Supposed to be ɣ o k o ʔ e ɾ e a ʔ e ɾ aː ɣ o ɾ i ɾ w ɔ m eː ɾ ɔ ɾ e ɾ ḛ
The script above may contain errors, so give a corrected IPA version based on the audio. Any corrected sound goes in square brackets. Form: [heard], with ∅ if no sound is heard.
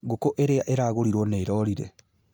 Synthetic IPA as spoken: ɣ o k o ʔ e ɾ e a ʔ e ɾ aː ɣ o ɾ i ɾ w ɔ [n] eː ɾ ɔ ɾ [i] ɾ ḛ